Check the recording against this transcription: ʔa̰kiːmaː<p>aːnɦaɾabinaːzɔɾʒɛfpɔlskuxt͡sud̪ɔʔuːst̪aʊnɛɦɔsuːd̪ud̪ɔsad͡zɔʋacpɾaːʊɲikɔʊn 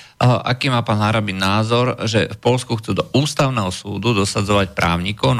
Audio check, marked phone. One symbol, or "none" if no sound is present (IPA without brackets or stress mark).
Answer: p